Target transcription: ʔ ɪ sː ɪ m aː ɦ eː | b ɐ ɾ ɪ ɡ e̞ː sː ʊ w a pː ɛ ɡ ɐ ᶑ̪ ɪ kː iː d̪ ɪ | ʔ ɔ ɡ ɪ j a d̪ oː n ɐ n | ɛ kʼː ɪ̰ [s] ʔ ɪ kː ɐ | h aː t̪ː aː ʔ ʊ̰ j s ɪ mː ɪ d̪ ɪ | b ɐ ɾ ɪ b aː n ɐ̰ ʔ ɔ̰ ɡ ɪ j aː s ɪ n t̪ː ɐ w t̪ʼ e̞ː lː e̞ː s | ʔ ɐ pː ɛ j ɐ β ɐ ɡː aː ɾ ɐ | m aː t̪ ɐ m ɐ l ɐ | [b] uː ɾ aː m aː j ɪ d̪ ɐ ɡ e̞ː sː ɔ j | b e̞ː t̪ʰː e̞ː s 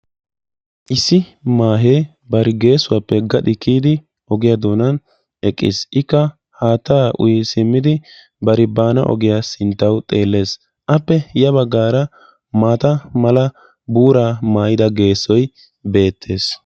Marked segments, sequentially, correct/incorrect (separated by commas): correct, correct